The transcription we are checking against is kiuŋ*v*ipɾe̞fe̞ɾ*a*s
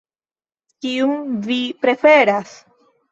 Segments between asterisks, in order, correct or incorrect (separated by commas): correct, correct